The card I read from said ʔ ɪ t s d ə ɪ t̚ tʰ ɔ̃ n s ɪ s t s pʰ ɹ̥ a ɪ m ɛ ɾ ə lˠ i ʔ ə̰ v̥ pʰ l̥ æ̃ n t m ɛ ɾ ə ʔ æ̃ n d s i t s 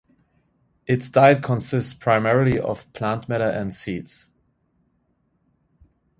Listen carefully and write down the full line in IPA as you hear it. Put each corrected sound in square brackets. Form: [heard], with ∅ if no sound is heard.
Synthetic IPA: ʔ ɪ t s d [a] ɪ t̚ [kʰ] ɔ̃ n s ɪ s t s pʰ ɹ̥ a ɪ m ɛ [ɹ] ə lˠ i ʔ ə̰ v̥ pʰ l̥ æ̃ n t m ɛ ɾ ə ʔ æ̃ n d s i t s